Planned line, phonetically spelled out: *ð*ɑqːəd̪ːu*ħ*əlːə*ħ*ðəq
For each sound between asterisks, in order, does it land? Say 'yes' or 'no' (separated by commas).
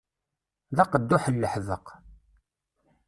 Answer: yes, yes, yes